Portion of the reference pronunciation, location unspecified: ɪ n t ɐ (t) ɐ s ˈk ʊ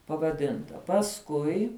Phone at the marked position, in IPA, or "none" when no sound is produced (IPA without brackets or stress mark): p